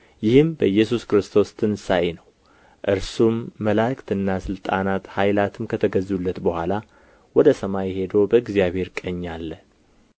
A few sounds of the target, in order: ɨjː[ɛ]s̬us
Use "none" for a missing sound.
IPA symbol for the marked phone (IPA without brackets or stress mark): ɛ